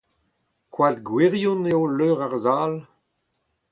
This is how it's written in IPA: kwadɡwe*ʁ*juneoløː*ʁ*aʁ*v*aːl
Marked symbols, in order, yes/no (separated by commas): yes, yes, no